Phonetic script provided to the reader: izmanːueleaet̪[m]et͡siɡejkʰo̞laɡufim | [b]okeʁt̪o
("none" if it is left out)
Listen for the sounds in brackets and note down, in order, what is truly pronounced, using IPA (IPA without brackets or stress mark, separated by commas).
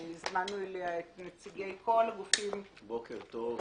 n, b